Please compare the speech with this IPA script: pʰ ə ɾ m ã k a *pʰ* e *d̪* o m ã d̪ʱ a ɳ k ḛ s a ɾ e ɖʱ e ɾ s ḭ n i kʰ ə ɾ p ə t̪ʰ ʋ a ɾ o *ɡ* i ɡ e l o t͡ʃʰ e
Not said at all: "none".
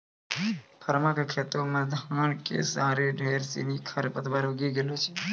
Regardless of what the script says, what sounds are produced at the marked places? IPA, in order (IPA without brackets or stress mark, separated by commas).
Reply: kʰ, t̪, ɡ